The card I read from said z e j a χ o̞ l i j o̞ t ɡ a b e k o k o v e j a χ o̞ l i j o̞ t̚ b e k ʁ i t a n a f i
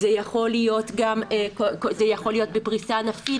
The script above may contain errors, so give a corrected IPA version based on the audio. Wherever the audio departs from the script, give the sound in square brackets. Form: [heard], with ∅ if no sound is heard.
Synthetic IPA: z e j a χ o̞ l i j o̞ t ɡ a [m] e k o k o [z] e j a χ o̞ l i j o̞ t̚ b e [p] ʁ i [s] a n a f i